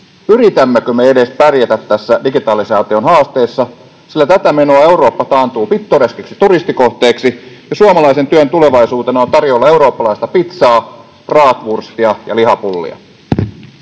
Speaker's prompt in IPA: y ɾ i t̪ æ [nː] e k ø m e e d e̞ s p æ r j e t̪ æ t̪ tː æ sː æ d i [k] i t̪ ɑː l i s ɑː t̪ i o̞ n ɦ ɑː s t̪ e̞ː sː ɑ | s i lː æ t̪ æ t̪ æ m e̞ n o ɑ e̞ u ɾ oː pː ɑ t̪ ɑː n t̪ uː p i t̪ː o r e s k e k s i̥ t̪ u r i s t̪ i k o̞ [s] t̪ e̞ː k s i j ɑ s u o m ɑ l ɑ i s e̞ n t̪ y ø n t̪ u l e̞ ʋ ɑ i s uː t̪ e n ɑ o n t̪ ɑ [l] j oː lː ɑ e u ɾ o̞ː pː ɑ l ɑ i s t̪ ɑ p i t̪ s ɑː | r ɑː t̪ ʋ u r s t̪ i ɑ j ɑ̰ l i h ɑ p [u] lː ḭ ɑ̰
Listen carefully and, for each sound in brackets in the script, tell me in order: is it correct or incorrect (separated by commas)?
incorrect, incorrect, incorrect, incorrect, correct